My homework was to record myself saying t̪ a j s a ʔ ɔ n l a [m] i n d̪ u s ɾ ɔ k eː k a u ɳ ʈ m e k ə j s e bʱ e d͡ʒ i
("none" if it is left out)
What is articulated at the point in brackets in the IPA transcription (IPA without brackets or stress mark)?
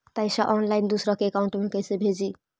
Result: none